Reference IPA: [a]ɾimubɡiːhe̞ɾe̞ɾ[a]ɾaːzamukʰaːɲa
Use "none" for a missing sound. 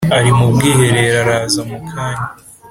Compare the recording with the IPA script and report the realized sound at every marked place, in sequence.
a, a

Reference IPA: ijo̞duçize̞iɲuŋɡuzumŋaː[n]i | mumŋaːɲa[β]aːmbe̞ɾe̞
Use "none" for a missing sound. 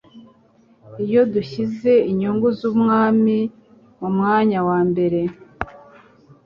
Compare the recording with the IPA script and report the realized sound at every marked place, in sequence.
m, w

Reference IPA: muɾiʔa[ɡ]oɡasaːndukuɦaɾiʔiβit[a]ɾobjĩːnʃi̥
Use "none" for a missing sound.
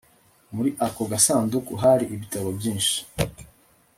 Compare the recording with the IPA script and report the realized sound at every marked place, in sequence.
k, a

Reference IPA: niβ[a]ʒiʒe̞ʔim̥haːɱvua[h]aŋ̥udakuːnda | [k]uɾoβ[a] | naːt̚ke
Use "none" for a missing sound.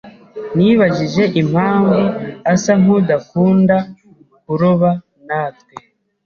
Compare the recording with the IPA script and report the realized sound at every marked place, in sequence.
a, s, k, a

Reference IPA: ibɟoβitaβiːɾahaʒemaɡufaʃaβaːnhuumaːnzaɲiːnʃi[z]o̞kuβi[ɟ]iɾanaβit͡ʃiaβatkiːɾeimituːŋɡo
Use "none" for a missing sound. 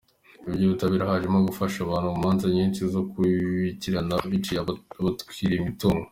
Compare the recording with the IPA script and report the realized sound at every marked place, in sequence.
z, c

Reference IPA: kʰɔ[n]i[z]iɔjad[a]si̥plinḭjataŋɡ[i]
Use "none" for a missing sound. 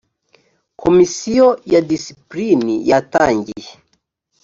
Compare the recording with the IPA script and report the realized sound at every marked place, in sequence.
m, s, i, i

